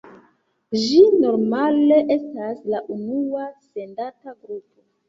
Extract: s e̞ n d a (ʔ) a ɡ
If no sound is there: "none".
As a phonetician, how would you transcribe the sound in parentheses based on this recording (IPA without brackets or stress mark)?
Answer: t